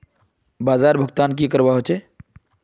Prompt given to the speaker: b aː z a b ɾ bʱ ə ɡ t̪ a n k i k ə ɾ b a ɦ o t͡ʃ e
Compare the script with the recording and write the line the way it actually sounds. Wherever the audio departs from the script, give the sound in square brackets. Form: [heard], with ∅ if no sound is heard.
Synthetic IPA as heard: b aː z a [∅] ɾ bʱ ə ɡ t̪ a n k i k ə ɾ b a ɦ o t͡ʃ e